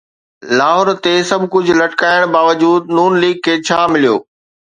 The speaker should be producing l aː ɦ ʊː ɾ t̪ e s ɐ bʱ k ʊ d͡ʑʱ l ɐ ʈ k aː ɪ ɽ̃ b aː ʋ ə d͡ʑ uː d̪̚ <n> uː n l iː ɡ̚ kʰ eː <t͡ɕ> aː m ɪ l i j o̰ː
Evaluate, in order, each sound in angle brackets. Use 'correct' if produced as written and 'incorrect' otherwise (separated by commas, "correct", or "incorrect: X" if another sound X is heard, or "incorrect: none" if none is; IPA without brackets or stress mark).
correct, incorrect: t͡ɕʰ